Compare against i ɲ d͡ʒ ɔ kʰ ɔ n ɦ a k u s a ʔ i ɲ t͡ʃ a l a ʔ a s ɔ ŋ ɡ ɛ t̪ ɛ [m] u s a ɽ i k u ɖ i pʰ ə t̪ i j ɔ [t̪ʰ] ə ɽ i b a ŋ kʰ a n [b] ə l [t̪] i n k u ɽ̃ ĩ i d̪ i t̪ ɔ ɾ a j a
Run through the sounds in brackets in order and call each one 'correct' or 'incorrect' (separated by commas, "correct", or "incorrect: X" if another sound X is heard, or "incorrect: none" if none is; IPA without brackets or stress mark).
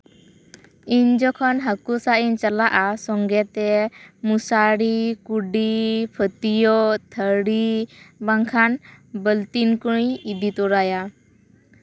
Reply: correct, correct, correct, correct